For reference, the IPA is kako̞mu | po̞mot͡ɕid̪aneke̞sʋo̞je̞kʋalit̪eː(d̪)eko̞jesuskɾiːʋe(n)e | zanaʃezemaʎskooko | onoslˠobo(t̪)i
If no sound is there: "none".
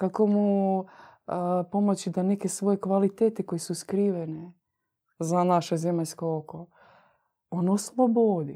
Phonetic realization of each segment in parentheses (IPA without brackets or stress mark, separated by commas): t̪, n, d̪